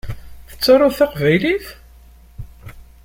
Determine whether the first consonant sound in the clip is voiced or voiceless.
voiceless